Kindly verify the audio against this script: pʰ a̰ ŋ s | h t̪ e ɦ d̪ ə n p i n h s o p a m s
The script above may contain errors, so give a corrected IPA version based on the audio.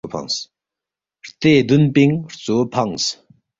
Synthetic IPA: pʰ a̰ ŋ s | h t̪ e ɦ d̪ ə n p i ŋ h t͡s o pʰ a ŋ s

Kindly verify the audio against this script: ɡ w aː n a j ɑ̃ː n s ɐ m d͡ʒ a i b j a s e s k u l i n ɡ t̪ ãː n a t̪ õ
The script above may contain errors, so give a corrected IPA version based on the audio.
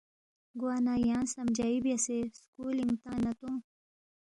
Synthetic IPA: ɡ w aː n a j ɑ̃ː n s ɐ m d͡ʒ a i b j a s e s k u l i ŋ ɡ t̪ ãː n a t̪ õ

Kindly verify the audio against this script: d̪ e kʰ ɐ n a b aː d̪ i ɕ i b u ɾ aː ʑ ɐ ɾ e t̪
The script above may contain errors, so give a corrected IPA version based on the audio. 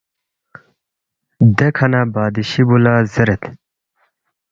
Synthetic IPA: d̪ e kʰ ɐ n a b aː d̪ i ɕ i b u l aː z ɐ ɾ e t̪

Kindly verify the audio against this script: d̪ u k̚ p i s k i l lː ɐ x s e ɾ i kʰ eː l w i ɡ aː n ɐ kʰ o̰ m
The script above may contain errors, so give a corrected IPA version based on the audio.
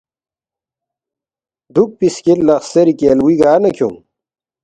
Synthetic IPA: d̪ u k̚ p i s k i l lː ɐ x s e ɾ i k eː l w i ɡ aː n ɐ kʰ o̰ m

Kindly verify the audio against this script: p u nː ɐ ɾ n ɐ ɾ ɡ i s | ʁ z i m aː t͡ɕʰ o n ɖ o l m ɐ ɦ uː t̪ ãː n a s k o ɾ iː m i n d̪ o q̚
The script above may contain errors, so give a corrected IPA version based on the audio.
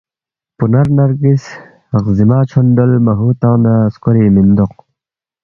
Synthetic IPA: p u n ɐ ɾ n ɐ ɾ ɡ i s | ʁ z i m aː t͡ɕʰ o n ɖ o l m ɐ ɦ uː t̪ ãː n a s k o ɾ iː m i n d̪ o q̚

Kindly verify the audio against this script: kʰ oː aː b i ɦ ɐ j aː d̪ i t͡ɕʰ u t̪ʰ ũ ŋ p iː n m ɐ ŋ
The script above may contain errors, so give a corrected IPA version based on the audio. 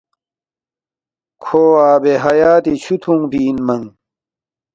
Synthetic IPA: kʰ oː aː b e ɦ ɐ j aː t̪ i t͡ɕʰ u t̪ʰ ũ ŋ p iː n m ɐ ŋ

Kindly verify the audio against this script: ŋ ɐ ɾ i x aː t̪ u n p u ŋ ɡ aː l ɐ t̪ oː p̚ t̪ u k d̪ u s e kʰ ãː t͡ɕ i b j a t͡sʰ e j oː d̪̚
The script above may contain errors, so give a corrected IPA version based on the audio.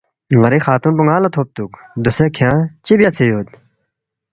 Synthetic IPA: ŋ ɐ ɾ i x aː t̪ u n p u ŋ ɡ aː l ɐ t̪ʰ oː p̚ t̪ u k d̪ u s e kʰ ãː t͡ɕ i b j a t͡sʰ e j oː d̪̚

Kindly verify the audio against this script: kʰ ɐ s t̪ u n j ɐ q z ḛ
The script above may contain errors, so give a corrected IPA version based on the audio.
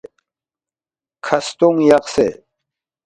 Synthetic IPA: kʰ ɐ s t̪ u ŋ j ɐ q s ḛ

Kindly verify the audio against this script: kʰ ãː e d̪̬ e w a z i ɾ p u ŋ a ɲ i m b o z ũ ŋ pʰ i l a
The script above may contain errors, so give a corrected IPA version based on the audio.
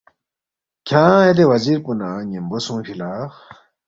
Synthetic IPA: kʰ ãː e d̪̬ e w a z i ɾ p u n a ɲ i m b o s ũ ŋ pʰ i l a

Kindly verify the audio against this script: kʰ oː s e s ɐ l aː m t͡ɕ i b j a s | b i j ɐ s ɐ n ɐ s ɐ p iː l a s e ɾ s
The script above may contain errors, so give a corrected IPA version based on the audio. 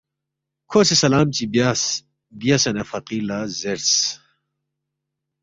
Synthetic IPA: kʰ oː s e s ɐ l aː m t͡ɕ i b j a s | b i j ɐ s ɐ n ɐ f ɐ q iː l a z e ɾ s

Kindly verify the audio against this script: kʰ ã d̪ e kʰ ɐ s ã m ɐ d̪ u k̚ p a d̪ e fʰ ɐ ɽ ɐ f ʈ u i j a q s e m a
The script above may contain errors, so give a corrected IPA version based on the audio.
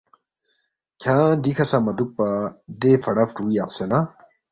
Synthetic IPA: kʰ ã d̪ i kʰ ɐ s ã m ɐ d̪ u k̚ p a d̪ e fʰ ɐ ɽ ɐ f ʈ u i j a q s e n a

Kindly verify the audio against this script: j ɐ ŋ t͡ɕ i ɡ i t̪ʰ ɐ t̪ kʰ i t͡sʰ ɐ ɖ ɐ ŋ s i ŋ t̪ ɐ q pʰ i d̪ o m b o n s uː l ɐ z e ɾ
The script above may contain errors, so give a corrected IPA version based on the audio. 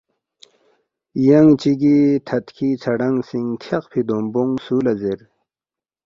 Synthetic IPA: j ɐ ŋ t͡ɕ i ɡ i t̪ʰ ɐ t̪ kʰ i t͡sʰ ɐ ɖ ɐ ŋ s i ŋ t̪ʰ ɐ q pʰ i d̪ o m b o ŋ s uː l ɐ z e ɾ

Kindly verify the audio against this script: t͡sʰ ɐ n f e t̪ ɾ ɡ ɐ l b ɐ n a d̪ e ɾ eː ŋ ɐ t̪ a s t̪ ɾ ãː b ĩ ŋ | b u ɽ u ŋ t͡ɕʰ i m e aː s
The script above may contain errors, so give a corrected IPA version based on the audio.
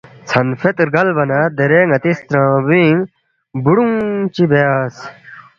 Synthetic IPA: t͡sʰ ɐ n f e t̪ ɾ ɡ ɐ l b ɐ n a d̪ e ɾ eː ŋ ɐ t̪ i s t̪ ɾ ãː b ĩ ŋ | b u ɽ u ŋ t͡ɕ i b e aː s

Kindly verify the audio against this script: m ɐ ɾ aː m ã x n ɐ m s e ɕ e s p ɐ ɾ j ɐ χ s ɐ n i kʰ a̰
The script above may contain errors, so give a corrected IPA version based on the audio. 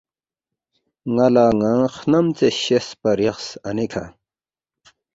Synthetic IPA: ŋ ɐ l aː ŋ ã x n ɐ m t͡s e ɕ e s p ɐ ɾ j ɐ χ s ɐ n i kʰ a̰

